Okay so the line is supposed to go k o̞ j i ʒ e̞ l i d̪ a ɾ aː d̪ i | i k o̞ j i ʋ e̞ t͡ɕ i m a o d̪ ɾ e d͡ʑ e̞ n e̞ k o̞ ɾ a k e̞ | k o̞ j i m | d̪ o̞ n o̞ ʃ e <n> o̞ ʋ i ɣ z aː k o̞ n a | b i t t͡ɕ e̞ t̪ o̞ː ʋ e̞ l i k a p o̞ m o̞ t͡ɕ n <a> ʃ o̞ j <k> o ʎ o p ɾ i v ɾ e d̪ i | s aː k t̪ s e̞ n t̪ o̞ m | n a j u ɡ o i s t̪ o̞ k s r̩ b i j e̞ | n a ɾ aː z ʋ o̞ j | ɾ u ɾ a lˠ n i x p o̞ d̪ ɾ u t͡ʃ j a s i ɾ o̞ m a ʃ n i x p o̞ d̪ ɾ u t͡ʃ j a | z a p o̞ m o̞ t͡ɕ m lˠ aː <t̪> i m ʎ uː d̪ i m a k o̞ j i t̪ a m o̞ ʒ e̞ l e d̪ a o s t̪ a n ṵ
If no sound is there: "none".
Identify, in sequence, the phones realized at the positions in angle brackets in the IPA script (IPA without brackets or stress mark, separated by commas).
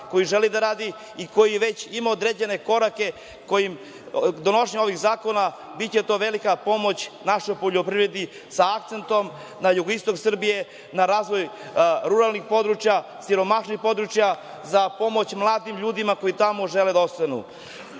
ɲ, a, p, d̪